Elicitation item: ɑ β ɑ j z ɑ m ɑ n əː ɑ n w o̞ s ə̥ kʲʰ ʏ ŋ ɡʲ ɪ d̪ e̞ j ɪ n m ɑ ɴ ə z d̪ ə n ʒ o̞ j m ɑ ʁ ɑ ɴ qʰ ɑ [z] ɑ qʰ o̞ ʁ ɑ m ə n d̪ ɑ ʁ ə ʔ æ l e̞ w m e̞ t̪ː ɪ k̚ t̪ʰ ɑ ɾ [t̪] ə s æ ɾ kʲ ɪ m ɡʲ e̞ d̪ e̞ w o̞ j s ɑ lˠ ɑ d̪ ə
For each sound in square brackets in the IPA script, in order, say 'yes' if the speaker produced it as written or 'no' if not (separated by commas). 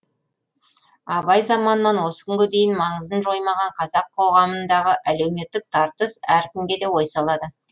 yes, yes